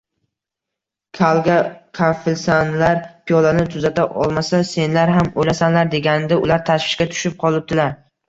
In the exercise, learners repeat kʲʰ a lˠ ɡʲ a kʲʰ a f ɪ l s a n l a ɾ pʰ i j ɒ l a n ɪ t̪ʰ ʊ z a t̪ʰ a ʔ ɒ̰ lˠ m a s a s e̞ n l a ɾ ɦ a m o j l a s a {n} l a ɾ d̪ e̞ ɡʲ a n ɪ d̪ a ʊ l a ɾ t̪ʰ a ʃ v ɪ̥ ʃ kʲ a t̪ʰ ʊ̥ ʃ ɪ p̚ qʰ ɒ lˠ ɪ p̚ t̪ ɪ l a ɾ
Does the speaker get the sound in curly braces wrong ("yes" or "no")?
no